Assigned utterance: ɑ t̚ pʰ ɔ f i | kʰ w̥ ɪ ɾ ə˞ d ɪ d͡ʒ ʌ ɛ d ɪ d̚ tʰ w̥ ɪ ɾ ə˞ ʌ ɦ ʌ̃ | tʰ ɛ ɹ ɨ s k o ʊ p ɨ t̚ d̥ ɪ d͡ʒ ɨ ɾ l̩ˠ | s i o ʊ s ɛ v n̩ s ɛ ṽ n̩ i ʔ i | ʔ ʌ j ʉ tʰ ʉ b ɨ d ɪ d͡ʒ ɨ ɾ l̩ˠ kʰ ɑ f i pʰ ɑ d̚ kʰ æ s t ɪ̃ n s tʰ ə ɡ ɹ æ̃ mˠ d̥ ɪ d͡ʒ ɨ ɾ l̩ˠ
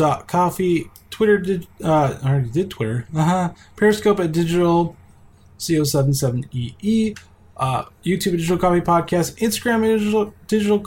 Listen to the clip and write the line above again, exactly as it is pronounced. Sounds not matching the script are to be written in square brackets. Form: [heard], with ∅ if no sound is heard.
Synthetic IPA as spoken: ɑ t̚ [kʰ] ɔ f i | [tʰ] w̥ ɪ ɾ ə˞ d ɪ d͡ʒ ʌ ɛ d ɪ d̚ tʰ w̥ ɪ ɾ ə˞ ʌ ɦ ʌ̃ | [pʰ] ɛ ɹ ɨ s k o ʊ p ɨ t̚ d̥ ɪ d͡ʒ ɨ ɾ l̩ˠ | s i o ʊ s ɛ v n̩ s ɛ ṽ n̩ i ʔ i | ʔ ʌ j ʉ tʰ ʉ b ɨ d ɪ d͡ʒ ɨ ɾ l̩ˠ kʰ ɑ f i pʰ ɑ d̚ kʰ æ s t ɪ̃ n s [t] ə ɡ ɹ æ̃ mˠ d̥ ɪ d͡ʒ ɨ ɾ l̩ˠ